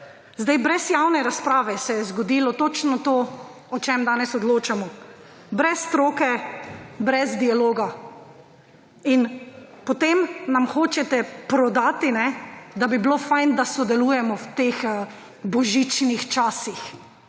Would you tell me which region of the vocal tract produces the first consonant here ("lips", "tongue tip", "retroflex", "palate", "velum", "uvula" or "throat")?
tongue tip